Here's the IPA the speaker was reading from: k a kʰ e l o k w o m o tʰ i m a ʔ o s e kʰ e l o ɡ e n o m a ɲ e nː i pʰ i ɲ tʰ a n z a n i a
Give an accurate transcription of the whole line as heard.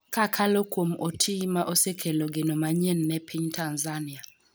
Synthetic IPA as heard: k a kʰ a l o k w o m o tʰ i m a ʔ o s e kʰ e l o ɡ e n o m a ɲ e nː ɛ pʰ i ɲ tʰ a n z a n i a